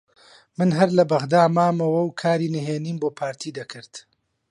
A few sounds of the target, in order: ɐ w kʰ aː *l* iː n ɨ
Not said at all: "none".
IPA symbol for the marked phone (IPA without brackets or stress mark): ɾ